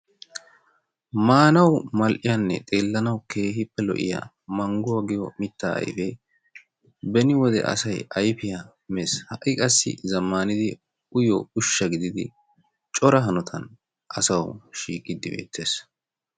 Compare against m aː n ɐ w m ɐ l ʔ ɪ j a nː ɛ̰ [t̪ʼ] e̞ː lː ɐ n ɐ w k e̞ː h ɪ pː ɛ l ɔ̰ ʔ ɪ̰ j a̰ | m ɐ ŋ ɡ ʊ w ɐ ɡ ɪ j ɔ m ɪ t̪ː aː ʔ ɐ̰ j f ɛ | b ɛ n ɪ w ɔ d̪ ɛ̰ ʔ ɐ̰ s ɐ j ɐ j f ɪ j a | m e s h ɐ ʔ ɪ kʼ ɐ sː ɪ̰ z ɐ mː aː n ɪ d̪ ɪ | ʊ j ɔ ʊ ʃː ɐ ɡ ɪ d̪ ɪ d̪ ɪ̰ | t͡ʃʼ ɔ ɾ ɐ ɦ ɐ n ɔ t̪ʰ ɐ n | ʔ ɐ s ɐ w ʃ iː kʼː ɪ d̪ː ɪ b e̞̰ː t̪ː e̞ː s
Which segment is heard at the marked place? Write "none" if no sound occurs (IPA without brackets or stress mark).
t̪ʼ